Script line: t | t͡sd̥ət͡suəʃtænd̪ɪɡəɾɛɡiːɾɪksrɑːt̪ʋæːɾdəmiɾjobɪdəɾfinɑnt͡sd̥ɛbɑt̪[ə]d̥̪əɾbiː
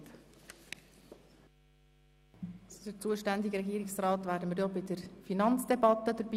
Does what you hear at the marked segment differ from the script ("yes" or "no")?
no